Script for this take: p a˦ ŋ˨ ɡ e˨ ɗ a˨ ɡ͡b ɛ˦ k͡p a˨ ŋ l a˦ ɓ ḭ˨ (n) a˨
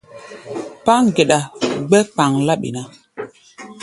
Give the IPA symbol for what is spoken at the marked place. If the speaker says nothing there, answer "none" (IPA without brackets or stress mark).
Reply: n